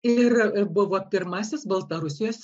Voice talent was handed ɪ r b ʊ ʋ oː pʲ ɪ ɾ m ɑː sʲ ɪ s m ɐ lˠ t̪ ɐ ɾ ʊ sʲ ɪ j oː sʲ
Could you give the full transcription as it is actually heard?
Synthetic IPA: ɪ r b ʊ ʋ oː pʲ ɪ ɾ m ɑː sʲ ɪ s b ɐ lˠ t̪ ɐ ɾ ʊ sʲ ɪ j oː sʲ